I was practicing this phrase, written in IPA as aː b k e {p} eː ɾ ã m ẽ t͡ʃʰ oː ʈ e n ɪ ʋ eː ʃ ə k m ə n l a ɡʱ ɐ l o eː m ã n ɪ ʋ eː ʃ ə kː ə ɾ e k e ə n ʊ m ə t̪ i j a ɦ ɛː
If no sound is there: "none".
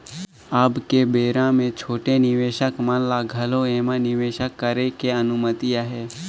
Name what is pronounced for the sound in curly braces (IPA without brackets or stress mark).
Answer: b